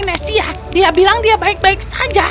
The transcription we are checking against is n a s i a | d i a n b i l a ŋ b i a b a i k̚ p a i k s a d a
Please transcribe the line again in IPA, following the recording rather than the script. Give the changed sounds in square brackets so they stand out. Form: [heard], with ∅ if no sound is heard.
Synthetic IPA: n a s i a | d i a [∅] b i l a ŋ [d] i a b a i k̚ [b] a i k s a [d͡ʒ] a

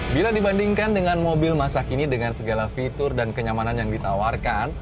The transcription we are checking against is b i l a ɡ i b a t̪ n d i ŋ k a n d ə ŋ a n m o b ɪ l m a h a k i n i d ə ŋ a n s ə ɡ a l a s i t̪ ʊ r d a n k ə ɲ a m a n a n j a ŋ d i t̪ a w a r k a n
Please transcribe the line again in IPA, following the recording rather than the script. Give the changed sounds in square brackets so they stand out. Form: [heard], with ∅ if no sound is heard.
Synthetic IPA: b i l a [d] i b a [∅] n d i ŋ k a n d ə ŋ a n m o b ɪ l m a [s] a k i n i d ə ŋ a n s ə ɡ a l a [f] i t̪ ʊ r d a n k ə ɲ a m a n a n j a ŋ d i t̪ a w a r k a n

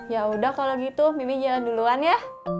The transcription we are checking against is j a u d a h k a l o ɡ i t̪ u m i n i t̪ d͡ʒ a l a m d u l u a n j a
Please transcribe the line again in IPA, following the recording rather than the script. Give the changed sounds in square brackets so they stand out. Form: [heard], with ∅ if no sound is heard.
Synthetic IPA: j a u d a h k a l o ɡ i t̪ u m i [m] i [∅] d͡ʒ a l a [n] d u l u a n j a

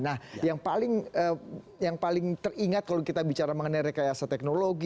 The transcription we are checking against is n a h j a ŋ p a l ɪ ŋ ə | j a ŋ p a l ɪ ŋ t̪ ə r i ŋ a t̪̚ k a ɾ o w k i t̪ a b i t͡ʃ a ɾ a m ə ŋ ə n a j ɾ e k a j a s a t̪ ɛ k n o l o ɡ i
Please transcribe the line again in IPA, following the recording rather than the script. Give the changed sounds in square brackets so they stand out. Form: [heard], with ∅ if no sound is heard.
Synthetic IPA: n a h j a ŋ p a l ɪ ŋ ə | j a ŋ p a l ɪ ŋ t̪ ə r i ŋ a t̪̚ k a [l] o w k i t̪ a b i t͡ʃ a ɾ a m ə ŋ ə n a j ɾ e k a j a s a t̪ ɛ k n o l o ɡ i

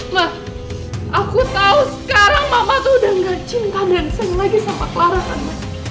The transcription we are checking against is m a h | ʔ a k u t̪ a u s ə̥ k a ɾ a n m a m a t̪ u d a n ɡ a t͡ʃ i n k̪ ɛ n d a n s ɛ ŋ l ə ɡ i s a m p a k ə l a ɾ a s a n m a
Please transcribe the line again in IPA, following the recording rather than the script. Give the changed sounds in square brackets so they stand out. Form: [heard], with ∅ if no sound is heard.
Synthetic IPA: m a h | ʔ a k u t̪ a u s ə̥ k a ɾ a [ŋ] m a m a t̪ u d a [ŋ] ɡ a t͡ʃ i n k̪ [a] n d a n s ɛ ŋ l [a] ɡ i s a m p a k ə l a ɾ a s a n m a

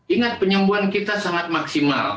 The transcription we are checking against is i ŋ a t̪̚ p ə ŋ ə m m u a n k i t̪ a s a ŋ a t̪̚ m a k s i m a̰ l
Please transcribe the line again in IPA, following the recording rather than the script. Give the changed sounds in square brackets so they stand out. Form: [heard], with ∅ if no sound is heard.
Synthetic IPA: i ŋ a t̪̚ p ə [ɲ] ə m [b] u a n k i t̪ a s a ŋ a t̪̚ m a k s i m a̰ l

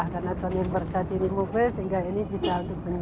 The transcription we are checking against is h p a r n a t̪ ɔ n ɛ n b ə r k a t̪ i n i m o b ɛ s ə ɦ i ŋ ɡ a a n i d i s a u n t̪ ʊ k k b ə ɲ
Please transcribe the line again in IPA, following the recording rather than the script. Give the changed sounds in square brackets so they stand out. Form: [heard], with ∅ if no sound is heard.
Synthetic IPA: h [k] a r n a t̪ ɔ n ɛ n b ə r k a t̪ i n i m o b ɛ s ə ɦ i ŋ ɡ a [i] n i [b] i s a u n t̪ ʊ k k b ə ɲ

